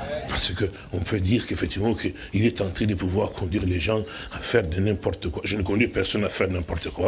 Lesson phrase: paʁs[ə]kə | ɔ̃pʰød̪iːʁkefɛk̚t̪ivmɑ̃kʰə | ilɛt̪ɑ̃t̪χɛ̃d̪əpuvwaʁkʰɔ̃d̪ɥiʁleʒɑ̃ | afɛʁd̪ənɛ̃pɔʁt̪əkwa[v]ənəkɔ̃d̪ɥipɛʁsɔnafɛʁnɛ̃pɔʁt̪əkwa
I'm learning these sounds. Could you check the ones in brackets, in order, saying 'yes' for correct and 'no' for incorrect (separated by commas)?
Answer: yes, no